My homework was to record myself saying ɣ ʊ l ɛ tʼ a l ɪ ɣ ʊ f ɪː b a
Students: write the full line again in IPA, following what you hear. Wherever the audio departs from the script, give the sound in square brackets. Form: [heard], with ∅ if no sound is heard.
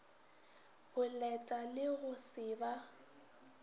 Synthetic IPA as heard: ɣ ʊ l ɛ tʼ a l ɪ ɣ ʊ [s] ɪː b a